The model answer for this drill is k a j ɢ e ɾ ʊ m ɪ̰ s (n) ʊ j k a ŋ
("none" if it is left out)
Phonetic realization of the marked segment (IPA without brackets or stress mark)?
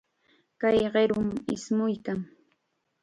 m